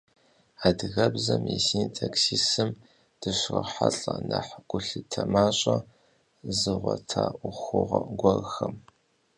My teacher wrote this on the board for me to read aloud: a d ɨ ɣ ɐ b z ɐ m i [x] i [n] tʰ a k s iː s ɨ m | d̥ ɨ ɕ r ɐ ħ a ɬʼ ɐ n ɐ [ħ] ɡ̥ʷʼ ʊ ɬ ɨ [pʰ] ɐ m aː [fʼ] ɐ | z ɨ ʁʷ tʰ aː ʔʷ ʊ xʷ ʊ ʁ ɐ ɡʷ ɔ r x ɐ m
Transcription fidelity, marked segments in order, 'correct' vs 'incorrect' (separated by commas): incorrect, correct, correct, incorrect, incorrect